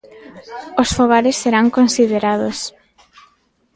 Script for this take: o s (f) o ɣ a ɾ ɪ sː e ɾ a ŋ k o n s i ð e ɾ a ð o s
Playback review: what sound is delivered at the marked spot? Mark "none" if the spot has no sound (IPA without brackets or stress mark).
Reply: f